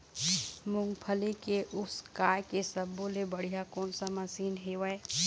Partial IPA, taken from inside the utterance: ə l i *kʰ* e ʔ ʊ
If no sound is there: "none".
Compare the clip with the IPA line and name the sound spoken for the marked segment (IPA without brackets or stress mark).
k